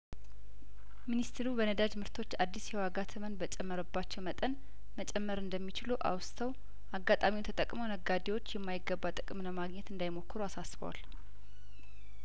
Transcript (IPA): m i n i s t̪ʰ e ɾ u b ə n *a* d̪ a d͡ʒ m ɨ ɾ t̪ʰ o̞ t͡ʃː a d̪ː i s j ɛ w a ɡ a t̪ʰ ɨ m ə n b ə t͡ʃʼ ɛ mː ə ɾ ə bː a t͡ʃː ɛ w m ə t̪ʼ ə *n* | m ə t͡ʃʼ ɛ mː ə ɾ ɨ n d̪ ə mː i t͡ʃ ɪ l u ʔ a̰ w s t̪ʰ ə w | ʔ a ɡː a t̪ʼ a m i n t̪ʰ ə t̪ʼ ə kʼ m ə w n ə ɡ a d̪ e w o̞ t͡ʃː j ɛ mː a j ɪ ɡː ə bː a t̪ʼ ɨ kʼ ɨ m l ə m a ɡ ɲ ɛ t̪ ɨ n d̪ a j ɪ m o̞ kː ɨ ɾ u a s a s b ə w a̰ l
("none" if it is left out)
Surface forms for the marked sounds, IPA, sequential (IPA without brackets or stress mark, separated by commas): ə, n